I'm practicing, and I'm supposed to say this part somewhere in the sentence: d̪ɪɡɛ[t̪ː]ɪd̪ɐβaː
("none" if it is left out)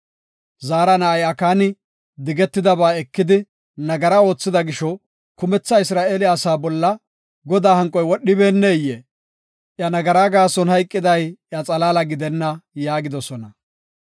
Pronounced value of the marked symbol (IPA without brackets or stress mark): t̪ː